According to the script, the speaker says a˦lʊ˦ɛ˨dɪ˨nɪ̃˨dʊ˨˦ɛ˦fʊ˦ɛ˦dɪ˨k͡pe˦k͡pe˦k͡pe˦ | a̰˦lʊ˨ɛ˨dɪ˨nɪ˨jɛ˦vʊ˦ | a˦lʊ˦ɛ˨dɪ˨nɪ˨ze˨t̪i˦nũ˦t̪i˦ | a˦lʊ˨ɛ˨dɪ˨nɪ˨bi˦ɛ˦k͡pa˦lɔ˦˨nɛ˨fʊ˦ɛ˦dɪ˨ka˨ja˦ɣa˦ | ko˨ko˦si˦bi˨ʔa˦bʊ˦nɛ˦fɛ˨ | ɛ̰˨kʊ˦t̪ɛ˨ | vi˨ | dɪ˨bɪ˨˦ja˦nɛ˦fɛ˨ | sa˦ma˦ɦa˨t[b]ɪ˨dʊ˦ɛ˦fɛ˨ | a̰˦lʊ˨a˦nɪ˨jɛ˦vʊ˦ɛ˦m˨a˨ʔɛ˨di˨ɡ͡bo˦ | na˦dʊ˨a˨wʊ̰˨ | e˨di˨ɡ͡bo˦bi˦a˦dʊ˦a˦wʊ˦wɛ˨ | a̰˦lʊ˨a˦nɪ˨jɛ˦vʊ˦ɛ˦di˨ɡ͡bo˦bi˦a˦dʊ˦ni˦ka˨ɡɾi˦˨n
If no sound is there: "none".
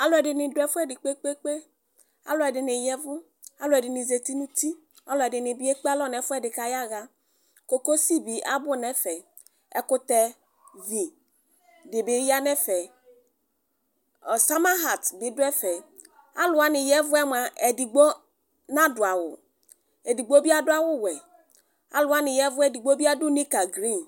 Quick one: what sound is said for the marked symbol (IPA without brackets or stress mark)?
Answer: b